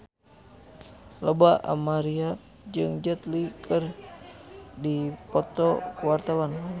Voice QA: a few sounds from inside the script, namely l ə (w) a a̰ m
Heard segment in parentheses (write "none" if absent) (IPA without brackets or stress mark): b